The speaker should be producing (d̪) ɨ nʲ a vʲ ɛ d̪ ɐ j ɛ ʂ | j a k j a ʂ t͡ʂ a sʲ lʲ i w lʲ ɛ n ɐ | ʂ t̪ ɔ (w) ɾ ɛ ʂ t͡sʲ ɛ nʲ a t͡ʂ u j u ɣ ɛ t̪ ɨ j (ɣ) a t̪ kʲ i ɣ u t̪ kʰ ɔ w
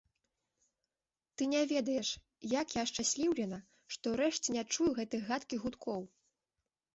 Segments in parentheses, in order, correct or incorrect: incorrect: t̪, correct, correct

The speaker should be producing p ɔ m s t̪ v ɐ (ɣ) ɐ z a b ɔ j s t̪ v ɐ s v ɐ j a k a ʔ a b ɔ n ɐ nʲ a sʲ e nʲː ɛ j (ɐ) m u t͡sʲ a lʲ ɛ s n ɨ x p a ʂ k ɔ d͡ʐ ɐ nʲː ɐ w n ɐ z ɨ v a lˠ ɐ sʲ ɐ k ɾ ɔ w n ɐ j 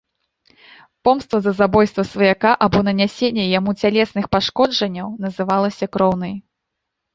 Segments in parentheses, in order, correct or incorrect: incorrect: z, incorrect: a

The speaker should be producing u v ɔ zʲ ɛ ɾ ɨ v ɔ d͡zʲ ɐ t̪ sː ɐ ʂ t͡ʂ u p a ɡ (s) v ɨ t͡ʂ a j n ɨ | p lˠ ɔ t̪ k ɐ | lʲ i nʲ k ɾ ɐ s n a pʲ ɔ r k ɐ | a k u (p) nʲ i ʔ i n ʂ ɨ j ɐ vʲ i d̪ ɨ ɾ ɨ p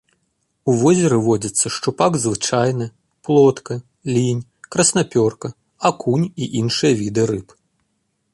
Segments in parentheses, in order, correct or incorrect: incorrect: z, incorrect: none

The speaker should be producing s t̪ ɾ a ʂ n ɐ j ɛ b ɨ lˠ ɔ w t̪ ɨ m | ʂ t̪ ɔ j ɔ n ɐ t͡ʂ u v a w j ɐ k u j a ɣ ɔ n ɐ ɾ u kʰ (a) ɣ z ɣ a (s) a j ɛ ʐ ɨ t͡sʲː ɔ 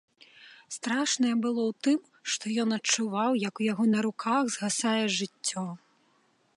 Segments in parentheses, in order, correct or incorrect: correct, correct

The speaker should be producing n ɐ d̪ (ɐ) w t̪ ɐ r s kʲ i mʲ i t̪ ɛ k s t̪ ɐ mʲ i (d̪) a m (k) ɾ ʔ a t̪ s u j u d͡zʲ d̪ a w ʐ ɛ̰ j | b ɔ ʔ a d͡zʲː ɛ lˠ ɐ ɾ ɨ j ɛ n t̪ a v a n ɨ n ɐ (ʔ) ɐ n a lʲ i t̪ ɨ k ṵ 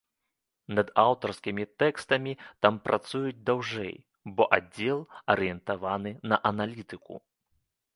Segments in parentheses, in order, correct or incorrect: incorrect: a, incorrect: t̪, incorrect: p, correct

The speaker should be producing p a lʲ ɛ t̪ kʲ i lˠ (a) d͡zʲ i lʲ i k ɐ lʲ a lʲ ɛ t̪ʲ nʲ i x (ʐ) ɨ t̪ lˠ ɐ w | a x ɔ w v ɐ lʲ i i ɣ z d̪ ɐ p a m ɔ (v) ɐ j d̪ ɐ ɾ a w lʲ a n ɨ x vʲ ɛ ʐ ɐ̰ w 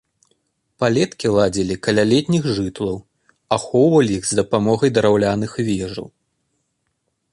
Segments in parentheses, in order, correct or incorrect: correct, correct, incorrect: ɣ

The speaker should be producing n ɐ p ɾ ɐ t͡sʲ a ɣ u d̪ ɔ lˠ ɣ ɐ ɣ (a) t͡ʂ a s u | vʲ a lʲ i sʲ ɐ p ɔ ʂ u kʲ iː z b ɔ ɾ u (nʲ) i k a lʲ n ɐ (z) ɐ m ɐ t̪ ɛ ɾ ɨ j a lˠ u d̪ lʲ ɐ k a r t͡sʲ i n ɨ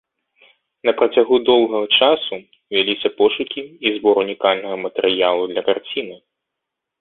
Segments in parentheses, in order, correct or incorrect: incorrect: ɐ, correct, incorrect: ɣ

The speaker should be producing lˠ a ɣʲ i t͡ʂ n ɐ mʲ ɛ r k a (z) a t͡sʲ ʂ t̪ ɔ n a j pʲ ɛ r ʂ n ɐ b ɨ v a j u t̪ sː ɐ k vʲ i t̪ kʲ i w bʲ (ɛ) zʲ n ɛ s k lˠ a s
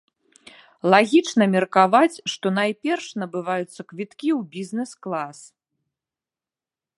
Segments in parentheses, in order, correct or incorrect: incorrect: v, incorrect: i

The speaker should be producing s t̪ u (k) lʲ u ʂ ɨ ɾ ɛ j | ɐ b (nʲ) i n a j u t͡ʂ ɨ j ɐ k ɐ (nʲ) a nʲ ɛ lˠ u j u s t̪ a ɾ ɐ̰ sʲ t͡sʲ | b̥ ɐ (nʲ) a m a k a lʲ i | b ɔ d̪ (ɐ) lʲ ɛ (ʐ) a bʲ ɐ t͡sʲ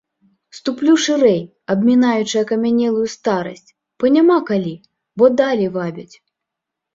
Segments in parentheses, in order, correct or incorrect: incorrect: p, incorrect: mʲ, incorrect: mʲ, correct, incorrect: a, incorrect: v

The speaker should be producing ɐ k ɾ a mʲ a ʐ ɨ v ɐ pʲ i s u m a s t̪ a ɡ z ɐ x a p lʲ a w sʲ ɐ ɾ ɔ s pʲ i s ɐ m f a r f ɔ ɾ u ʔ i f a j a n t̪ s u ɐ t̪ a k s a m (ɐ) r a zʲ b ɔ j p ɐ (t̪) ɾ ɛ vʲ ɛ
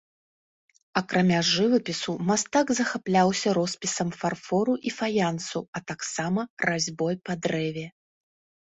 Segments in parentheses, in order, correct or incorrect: correct, incorrect: d̪

